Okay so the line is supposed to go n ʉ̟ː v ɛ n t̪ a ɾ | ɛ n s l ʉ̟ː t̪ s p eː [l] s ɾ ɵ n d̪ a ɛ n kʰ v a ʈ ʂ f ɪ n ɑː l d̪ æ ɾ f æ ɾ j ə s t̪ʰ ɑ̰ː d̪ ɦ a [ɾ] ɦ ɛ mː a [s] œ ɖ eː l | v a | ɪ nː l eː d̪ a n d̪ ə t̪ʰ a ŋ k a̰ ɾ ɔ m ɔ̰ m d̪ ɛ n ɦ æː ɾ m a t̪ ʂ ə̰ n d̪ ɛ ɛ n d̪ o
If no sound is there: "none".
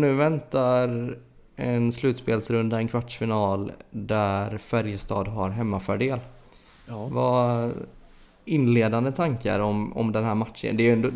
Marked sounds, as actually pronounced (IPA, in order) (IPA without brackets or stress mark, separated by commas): l, ɾ, f